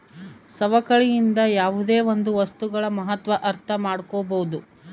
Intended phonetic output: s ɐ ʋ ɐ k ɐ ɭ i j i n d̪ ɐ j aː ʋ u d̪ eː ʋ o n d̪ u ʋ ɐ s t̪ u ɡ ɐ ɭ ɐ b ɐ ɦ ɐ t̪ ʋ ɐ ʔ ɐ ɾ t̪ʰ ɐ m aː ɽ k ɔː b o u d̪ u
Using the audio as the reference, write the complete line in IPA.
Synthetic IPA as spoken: s ɐ ʋ ɐ k ɐ ɭ i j i n d̪ ɐ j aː ʋ u d̪ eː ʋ o n d̪ u ʋ ɐ s t̪ u ɡ ɐ ɭ ɐ m ɐ ɦ ɐ t̪ ʋ ɐ ʔ ɐ ɾ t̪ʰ ɐ m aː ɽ k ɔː b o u d̪ u